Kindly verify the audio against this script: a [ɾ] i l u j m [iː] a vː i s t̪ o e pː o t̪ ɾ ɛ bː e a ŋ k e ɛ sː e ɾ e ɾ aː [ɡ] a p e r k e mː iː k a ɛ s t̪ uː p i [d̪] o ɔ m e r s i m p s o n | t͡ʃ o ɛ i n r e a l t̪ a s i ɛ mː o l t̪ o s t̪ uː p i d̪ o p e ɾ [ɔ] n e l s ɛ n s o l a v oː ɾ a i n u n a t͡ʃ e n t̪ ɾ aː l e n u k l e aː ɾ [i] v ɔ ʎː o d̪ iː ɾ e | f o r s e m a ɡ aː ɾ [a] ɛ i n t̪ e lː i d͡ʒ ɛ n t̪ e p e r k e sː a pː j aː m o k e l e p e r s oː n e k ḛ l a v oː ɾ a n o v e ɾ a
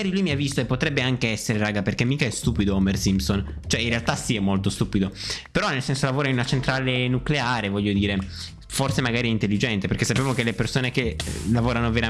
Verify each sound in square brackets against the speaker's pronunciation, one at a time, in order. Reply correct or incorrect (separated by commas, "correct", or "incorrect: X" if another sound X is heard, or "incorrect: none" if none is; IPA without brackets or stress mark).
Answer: correct, incorrect: i, correct, correct, correct, incorrect: e, incorrect: i